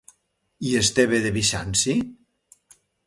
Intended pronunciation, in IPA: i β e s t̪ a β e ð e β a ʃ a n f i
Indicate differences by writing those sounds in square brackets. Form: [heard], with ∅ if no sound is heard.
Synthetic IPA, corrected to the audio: i [∅] e s t̪ [e] β e ð e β [i] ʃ a n [s] i